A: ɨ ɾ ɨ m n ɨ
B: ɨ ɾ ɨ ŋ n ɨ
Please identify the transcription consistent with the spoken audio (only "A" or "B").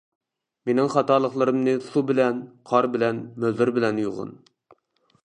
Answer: A